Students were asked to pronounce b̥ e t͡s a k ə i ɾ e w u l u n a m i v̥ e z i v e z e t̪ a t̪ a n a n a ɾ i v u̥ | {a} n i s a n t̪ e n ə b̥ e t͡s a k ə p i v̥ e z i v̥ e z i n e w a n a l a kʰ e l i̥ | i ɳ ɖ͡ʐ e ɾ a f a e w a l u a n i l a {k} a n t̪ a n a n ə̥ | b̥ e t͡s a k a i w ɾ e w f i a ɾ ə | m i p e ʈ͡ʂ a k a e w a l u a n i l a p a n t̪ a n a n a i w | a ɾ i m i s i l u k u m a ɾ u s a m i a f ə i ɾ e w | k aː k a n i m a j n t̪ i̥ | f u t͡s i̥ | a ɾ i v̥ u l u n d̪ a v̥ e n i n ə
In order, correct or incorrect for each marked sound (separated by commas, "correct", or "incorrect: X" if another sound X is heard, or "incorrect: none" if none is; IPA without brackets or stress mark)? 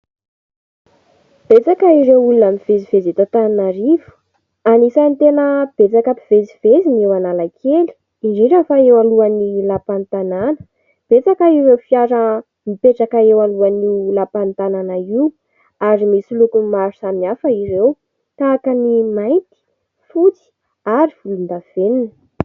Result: correct, incorrect: p